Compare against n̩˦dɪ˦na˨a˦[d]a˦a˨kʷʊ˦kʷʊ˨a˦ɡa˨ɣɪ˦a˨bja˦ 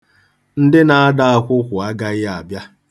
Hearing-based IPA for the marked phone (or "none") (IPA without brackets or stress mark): d